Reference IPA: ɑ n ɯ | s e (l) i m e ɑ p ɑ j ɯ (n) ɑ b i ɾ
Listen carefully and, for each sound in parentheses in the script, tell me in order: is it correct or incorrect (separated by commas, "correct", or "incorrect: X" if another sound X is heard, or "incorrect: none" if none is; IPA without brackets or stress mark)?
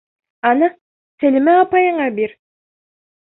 correct, incorrect: ɴ